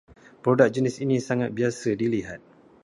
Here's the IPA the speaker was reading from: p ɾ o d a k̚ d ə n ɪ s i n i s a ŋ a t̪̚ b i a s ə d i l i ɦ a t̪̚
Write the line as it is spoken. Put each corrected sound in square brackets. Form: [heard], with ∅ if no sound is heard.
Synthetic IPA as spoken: p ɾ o d a k̚ [d͡ʒ] ə n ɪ s i n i s a ŋ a t̪̚ b i a s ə d i l i ɦ a t̪̚